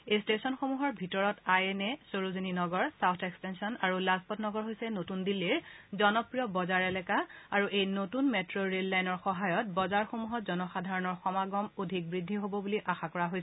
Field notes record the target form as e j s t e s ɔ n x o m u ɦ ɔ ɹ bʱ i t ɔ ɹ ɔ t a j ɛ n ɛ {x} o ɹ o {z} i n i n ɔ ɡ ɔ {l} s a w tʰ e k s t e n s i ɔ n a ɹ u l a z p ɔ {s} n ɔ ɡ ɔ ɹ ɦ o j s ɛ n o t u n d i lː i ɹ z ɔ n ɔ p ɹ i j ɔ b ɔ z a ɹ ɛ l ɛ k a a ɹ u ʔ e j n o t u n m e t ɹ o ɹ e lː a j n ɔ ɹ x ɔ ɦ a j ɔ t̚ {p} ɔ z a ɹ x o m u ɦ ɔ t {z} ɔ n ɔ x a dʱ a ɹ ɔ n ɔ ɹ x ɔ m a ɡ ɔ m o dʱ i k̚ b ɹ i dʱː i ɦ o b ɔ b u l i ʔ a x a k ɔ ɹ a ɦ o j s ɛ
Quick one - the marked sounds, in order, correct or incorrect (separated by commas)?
incorrect, correct, incorrect, incorrect, incorrect, correct